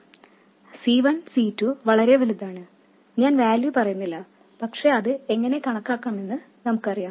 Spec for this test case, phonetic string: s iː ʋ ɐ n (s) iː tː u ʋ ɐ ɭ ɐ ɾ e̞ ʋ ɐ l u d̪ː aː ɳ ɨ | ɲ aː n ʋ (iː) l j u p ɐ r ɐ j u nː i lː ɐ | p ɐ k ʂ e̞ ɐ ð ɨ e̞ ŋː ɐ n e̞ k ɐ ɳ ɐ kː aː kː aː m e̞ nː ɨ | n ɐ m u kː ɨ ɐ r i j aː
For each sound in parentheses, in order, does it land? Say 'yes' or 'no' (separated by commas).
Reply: yes, no